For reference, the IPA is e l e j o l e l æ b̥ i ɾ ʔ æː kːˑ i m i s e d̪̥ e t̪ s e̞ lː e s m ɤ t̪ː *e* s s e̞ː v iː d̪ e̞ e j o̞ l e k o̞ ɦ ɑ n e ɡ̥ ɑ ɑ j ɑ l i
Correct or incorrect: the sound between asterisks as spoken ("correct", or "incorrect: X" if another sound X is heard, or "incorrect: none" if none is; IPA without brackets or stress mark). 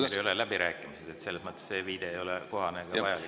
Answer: correct